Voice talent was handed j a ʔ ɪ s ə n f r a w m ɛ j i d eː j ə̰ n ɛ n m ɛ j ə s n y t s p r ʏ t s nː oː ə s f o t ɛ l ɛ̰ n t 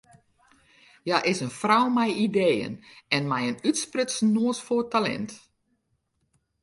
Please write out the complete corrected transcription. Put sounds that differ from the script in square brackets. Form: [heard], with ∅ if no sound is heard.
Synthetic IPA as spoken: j a ʔ ɪ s ə n f r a w m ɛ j i d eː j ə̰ n ɛ n m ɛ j ə [∅] n y t s p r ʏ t s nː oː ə s f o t [a] l ɛ̰ n t